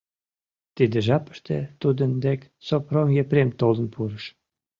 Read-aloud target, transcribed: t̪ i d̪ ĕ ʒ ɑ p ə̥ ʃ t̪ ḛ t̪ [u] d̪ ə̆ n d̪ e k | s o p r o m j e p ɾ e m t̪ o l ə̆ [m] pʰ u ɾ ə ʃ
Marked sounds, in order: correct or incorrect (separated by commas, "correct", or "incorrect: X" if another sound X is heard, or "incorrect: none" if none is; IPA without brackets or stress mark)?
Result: correct, incorrect: n